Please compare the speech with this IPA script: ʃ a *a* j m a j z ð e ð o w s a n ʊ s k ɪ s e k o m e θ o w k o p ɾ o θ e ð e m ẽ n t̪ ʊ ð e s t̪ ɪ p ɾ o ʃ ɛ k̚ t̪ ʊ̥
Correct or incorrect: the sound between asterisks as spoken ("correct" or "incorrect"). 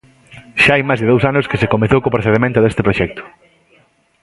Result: correct